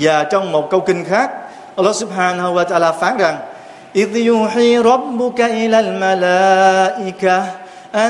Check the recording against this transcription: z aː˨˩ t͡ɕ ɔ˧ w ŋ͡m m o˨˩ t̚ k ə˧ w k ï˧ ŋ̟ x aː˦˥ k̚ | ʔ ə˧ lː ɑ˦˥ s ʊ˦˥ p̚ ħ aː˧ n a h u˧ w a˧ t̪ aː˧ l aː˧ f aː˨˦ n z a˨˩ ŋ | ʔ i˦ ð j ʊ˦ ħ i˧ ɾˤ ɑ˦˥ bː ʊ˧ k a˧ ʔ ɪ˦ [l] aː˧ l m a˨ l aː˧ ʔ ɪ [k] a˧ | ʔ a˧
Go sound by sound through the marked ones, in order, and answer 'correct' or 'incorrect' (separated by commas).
correct, correct